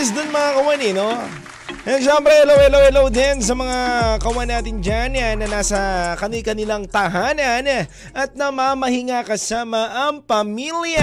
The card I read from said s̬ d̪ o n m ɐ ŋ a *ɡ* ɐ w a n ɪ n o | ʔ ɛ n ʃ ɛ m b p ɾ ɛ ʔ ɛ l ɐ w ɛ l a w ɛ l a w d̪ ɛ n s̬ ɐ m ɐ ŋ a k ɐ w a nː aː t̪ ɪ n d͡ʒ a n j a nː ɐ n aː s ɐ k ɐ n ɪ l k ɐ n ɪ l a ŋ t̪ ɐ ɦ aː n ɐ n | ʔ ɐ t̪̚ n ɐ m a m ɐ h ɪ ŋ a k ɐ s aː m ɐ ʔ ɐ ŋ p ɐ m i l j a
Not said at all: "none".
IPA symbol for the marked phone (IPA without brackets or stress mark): k